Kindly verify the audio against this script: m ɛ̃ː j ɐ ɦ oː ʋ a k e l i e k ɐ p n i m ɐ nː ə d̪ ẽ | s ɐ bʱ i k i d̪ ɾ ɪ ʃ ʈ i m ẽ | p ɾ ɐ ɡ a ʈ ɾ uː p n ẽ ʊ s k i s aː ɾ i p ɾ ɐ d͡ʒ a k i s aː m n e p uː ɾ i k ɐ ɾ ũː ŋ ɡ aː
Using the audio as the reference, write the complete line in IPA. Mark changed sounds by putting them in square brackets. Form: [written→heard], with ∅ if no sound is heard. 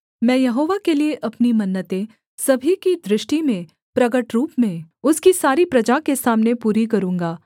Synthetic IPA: m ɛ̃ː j ɐ ɦ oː ʋ a k e l i e [k→ʔ] ɐ p n i m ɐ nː ə [d̪→t̪] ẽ | s ɐ bʱ i k i d̪ ɾ ɪ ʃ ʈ i m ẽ | p ɾ ɐ ɡ [a→ə] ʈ ɾ uː p [n→m] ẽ ʊ s k i s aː ɾ i p ɾ ɐ d͡ʒ a k [i→e] s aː m n e p uː ɾ i k ɐ ɾ ũː ŋ ɡ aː